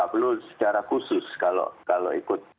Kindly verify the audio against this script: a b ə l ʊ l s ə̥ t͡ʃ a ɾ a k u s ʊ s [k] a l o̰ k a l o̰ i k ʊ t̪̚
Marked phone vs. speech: correct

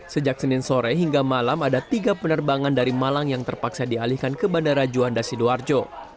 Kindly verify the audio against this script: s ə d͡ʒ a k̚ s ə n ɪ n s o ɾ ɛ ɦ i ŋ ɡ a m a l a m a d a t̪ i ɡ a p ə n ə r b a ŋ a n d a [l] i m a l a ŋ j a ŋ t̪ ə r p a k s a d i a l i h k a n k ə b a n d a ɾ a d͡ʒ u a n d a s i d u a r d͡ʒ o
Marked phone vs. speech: incorrect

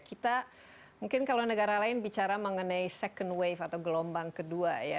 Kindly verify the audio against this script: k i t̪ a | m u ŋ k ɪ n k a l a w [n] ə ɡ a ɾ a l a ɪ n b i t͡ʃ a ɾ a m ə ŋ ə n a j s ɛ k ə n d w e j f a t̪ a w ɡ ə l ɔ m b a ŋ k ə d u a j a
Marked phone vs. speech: correct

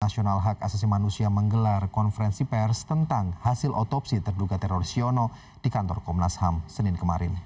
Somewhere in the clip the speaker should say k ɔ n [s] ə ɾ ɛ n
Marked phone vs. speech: incorrect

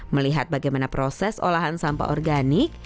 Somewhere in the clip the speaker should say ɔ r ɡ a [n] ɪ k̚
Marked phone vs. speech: correct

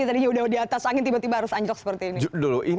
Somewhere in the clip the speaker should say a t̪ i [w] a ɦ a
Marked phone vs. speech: incorrect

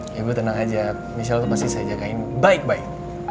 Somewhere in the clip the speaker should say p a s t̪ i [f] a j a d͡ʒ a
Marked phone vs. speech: incorrect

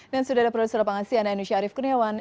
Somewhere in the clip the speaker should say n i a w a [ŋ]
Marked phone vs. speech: incorrect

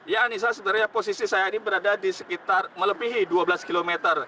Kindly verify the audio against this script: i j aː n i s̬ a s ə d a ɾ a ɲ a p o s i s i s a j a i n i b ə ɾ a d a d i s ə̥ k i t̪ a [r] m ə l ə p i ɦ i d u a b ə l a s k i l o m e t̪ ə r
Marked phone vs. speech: correct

